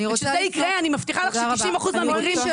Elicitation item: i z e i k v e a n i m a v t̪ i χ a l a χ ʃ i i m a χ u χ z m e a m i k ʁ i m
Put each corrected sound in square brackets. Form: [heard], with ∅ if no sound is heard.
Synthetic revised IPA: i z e i k [ʁ] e a n i m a [f] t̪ i χ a l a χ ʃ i i m a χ u [∅] z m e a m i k ʁ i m